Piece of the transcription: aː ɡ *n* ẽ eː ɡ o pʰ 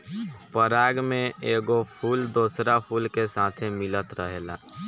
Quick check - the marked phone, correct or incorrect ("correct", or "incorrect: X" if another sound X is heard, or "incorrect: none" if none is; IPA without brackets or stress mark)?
incorrect: m